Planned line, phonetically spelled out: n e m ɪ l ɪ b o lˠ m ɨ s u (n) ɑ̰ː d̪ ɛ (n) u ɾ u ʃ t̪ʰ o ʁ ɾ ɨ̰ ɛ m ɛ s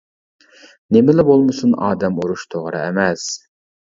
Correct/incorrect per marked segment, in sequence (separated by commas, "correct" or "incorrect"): correct, incorrect